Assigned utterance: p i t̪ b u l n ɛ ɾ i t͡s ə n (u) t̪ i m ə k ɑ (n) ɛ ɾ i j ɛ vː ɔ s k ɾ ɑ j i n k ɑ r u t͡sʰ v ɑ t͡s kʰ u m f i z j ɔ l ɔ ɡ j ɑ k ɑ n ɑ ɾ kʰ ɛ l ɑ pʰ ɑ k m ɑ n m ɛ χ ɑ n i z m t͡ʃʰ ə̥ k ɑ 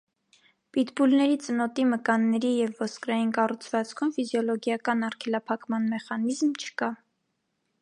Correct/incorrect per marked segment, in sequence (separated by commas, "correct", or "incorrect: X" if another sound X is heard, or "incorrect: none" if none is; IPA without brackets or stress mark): incorrect: ɔ, incorrect: nː